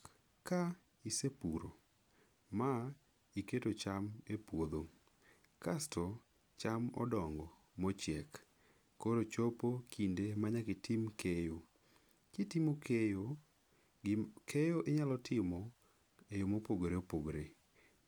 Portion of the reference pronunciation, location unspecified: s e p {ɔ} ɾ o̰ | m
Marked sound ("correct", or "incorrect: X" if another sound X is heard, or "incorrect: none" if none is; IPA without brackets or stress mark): incorrect: u